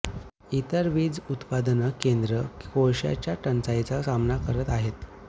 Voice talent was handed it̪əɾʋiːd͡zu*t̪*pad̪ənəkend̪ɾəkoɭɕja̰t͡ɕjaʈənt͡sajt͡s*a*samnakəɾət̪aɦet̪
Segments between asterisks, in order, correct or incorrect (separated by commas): correct, correct